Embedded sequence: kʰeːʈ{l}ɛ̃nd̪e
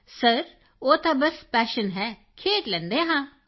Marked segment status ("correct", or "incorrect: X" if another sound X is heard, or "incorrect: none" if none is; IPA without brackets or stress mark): correct